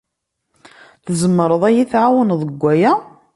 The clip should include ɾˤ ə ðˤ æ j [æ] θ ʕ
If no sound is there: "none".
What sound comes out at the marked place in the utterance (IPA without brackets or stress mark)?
i